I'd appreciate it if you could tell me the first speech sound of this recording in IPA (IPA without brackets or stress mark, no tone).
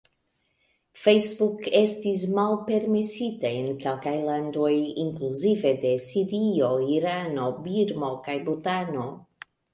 f